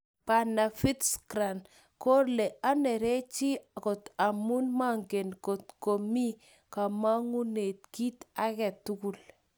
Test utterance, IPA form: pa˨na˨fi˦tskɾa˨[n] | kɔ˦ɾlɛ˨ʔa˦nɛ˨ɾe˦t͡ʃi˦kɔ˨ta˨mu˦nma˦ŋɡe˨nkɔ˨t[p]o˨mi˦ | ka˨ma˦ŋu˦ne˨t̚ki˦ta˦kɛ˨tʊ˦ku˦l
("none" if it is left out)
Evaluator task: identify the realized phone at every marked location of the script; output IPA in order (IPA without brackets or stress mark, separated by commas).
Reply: n, k